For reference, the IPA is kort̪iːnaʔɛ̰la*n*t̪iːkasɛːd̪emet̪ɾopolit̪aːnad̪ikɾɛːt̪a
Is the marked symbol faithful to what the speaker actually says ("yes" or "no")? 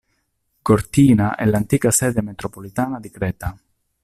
yes